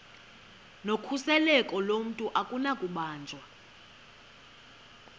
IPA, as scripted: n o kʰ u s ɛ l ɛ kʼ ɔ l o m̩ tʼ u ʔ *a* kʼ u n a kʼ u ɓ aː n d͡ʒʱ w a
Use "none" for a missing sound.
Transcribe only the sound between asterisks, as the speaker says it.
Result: a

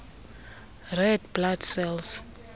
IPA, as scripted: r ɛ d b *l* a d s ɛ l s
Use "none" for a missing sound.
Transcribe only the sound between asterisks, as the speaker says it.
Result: l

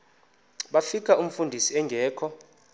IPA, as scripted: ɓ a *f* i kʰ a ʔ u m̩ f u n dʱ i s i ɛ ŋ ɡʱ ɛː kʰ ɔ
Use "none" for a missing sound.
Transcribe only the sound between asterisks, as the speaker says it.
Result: f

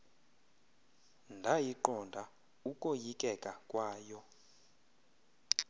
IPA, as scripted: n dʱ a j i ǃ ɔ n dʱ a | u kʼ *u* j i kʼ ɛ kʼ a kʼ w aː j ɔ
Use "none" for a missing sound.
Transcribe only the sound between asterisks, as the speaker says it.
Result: o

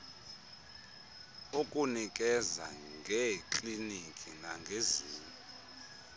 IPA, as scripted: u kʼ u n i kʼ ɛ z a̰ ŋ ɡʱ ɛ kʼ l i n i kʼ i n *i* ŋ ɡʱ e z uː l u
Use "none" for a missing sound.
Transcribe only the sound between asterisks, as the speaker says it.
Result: a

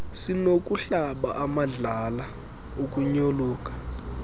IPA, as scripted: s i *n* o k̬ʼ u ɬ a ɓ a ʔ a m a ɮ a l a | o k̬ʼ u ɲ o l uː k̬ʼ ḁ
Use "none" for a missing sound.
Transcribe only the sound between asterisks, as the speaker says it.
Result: n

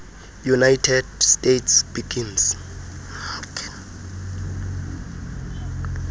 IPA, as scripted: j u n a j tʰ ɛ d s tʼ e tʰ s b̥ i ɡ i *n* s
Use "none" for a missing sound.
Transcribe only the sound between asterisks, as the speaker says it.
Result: n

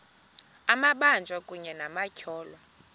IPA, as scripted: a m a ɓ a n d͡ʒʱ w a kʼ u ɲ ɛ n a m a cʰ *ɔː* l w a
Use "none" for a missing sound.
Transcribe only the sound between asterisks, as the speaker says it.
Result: ɔː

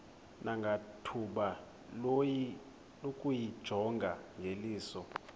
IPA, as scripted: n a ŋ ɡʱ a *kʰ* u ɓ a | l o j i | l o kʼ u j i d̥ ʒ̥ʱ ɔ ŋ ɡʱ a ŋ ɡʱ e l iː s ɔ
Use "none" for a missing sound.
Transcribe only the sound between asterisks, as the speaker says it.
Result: tʰ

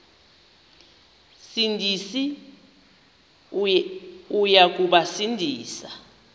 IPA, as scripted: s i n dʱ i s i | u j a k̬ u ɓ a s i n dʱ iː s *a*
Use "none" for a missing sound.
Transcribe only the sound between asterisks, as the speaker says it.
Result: a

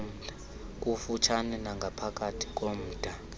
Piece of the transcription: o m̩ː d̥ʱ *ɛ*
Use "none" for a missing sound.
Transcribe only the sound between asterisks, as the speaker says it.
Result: a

